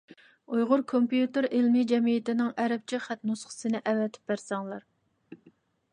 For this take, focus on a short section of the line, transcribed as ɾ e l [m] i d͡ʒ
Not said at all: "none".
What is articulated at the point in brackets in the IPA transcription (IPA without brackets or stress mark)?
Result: m